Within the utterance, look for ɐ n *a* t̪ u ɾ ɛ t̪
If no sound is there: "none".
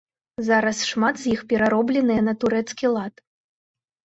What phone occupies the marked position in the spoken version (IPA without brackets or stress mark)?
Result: ɐ